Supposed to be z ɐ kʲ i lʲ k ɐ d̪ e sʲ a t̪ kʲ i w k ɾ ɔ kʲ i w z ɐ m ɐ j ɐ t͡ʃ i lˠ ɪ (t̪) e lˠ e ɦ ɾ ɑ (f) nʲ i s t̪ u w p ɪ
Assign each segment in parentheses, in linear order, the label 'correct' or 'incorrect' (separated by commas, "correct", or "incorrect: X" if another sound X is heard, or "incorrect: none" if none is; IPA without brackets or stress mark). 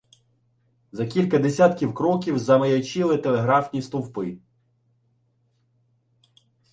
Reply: correct, correct